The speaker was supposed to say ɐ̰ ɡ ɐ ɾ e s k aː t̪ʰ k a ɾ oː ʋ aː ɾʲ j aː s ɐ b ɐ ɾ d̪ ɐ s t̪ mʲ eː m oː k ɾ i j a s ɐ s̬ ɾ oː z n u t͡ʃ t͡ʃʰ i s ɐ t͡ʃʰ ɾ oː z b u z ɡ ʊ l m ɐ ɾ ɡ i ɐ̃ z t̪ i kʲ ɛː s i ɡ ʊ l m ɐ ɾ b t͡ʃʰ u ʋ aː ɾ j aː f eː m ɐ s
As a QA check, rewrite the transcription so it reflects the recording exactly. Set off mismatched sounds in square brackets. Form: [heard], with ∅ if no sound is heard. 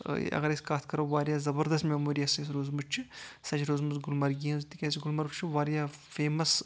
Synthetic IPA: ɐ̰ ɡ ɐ ɾ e s k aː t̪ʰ k [ɐ] ɾ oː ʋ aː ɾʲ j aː [z] ɐ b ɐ ɾ d̪ ɐ s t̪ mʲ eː m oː [∅] ɾ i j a s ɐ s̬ ɾ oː z [m] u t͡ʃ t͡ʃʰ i s ɐ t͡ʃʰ ɾ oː z [m] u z ɡ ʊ l m ɐ ɾ ɡ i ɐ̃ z t̪ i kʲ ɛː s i ɡ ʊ l m ɐ ɾ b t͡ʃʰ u ʋ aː ɾ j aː f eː m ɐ s